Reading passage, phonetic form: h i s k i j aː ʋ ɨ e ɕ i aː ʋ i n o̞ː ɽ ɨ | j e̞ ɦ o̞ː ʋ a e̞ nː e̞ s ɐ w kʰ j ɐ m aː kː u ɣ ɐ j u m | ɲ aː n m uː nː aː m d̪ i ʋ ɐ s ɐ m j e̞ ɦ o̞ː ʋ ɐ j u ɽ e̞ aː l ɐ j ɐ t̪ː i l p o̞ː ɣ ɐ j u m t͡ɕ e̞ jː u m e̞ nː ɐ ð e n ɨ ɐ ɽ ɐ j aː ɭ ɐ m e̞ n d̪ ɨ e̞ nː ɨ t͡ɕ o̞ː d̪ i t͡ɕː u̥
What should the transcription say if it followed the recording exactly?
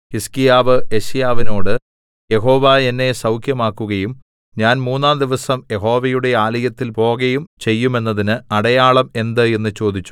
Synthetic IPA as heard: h i s k i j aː ʋ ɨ e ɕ j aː ʋ i n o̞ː ɽ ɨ | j e̞ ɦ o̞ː ʋ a e̞ nː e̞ s ɐ w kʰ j ɐ m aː kː u ɣ ɐ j u m | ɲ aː n m uː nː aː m d̪ i ʋ ɐ s ɐ m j e̞ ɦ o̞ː ʋ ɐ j u ɽ e̞ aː l ɐ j ɐ t̪ː i l p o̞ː ɣ ɐ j u m t͡ɕ e̞ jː u m e̞ nː ɐ ð i n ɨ ɐ ɽ ɐ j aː ɭ ɐ m e̞ n d̪ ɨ e̞ nː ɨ t͡ɕ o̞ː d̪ i t͡ɕː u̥